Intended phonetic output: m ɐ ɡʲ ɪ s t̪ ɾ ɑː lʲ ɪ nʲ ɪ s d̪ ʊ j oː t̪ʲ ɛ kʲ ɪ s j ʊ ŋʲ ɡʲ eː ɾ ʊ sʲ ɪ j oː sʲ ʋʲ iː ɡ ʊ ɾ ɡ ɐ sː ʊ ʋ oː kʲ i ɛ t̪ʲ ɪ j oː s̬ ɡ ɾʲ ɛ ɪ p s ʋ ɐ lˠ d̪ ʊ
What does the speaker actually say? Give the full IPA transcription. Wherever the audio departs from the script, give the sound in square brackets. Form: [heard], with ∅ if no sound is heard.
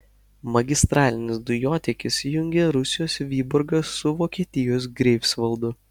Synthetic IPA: m ɐ ɡʲ ɪ s t̪ ɾ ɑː lʲ ɪ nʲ ɪ s d̪ ʊ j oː t̪ʲ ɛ kʲ ɪ s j ʊ ŋʲ ɡʲ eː ɾ ʊ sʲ ɪ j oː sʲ ʋʲ iː [b] ʊ ɾ ɡ ɐ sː ʊ ʋ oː kʲ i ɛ t̪ʲ ɪ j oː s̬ ɡ ɾʲ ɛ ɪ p s ʋ ɐ lˠ d̪ ʊ